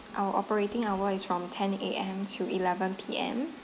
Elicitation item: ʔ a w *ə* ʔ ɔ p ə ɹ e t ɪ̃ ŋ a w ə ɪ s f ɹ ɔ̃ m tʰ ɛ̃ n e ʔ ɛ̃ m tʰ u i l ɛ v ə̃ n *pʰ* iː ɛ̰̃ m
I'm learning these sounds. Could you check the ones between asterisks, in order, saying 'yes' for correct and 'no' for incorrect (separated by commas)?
yes, yes